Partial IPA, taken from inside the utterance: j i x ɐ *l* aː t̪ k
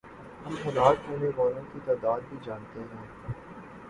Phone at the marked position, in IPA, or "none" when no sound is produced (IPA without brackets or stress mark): l